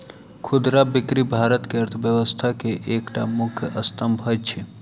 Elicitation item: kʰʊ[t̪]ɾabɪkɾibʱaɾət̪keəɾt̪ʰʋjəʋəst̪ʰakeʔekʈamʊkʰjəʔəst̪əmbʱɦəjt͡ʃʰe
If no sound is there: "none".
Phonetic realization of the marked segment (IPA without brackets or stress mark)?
d̪